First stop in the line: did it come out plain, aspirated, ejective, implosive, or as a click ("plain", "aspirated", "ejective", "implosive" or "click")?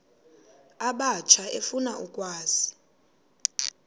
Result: implosive